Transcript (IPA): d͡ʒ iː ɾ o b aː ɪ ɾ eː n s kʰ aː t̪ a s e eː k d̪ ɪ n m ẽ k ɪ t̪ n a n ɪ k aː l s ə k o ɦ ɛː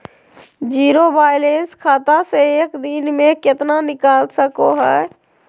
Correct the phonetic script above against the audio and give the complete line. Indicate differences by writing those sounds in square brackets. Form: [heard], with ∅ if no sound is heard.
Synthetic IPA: d͡ʒ iː ɾ o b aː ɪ [l] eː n s kʰ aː t̪ a s e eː k d̪ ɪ n m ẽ k ɪ t̪ n a n ɪ k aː l s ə k o ɦ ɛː